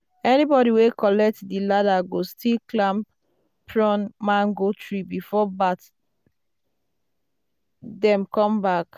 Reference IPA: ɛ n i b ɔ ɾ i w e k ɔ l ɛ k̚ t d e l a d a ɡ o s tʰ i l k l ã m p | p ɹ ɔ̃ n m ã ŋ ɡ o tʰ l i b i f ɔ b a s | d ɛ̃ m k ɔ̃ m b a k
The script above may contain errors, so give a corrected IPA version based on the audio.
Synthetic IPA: ɛ n i b ɔ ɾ i w e k ɔ l ɛ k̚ t d i l a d a ɡ o s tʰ i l k l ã m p | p ɹ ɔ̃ n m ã ŋ ɡ o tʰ ɹ i b i f ɔ b a t | d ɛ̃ m k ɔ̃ m b a k